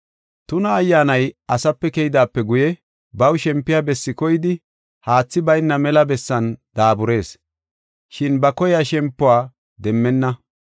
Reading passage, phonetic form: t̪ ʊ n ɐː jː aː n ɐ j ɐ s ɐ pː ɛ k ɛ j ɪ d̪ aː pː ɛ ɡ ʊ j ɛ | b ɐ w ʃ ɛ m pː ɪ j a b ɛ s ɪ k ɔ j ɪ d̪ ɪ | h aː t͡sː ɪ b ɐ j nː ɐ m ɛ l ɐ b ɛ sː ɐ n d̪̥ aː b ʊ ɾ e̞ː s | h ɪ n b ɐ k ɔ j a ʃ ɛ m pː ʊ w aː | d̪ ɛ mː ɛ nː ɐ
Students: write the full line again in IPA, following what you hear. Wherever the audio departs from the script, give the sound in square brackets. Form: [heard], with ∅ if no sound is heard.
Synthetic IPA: t̪ ʊ n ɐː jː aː n ɐ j ɐ s ɐ pː ɛ k ɛ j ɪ d̪ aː pː ɛ ɡ ʊ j ɛ | b ɐ w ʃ ɛ m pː ɪ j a b ɛ [sː] ɪ k ɔ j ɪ d̪ ɪ | h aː t͡sː ɪ b ɐ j nː ɐ m ɛ l ɐ b ɛ sː ɐ n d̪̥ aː b ʊ ɾ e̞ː s | [ʃ] ɪ n b ɐ k ɔ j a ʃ ɛ m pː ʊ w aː | d̪ ɛ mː ɛ nː ɐ